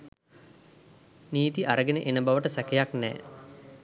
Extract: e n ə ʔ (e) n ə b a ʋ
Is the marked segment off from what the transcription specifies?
no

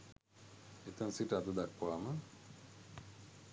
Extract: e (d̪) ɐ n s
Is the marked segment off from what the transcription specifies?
yes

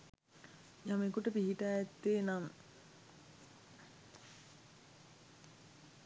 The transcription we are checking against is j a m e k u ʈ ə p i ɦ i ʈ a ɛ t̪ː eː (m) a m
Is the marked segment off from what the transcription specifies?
yes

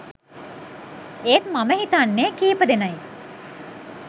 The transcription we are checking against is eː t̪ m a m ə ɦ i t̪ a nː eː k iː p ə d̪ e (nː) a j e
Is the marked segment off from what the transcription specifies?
yes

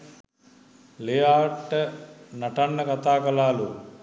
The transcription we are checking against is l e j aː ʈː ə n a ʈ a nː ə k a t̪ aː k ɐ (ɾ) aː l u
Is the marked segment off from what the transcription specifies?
yes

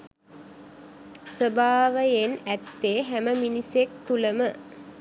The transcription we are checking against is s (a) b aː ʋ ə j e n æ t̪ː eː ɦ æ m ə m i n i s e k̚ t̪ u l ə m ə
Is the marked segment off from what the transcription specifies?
yes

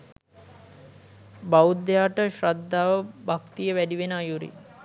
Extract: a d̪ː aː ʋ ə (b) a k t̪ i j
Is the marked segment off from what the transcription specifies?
no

